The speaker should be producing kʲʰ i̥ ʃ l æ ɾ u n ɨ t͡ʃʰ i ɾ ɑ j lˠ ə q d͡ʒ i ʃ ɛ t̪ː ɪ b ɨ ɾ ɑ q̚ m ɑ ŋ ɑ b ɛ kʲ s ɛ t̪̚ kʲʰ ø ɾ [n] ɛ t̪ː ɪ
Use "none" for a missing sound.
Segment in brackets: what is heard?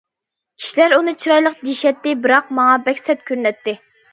n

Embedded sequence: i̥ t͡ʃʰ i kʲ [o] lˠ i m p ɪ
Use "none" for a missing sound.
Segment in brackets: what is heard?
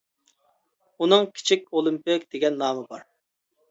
o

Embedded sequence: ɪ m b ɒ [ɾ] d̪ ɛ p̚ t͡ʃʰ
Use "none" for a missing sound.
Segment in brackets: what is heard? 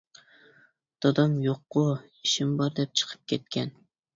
ɾ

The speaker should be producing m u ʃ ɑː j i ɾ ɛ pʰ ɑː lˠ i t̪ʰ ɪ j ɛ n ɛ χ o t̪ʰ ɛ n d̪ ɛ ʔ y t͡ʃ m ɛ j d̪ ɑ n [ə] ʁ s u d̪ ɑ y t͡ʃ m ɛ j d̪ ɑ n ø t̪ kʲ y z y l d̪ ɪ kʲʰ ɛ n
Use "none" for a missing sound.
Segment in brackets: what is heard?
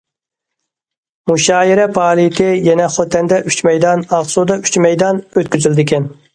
ɑ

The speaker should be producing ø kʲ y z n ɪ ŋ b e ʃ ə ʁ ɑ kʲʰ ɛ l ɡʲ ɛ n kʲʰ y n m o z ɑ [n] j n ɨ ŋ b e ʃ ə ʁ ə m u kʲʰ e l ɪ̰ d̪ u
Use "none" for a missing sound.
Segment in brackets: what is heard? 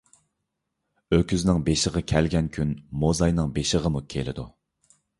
none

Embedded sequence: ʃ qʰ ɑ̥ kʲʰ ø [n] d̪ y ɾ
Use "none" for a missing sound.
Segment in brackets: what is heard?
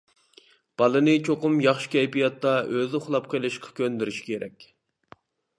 n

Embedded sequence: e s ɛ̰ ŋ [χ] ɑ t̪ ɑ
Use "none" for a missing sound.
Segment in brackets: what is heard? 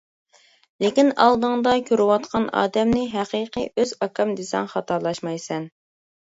χ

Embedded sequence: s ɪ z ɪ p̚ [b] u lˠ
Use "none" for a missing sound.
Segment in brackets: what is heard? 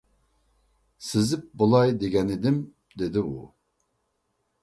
b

